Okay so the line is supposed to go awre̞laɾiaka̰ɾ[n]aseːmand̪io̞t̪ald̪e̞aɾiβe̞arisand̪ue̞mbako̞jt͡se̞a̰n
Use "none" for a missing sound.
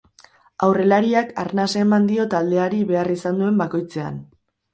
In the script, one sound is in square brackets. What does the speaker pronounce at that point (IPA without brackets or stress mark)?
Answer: n